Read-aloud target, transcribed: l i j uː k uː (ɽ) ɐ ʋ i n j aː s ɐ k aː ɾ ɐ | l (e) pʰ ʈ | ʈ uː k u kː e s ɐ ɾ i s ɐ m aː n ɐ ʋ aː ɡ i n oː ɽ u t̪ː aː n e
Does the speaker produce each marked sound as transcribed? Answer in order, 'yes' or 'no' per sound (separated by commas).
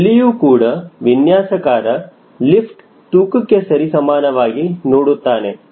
yes, no